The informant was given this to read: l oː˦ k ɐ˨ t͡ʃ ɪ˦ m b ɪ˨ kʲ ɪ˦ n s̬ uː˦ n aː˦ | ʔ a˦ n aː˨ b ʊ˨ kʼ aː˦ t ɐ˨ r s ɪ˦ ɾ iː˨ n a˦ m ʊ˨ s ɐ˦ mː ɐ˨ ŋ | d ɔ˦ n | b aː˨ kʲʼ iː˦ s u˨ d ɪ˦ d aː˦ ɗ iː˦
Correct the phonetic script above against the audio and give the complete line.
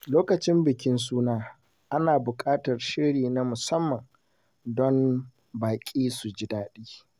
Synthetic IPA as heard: l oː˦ k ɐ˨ t͡ʃ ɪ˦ m b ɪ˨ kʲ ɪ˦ n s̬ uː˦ n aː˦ | ʔ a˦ n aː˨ b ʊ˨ kʼ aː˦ t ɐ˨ r ʃ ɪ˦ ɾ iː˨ n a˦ m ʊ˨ s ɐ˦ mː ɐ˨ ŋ | d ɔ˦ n | b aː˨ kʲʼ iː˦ s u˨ d͡ʒ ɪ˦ d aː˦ ɗ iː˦